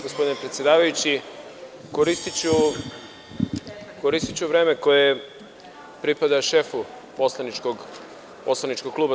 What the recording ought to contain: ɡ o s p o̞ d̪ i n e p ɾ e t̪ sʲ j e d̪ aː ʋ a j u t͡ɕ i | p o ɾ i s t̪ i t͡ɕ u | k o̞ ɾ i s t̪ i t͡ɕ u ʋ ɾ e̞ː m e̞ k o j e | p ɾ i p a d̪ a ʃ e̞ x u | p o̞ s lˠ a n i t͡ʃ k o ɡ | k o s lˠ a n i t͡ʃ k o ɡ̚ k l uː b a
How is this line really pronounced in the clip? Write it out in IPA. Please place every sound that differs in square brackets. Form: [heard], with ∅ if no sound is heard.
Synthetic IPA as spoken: ɡ o s p o̞ d̪ i n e p ɾ e t̪ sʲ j e d̪ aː ʋ a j u t͡ɕ i | [k] o ɾ i s t̪ i t͡ɕ u | k o̞ ɾ i s t̪ i t͡ɕ u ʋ ɾ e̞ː m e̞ k o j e | p ɾ i p a d̪ a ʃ e̞ [f] u | p o̞ s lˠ a n i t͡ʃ k o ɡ | [p] o s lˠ a n i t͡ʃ k o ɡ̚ k l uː b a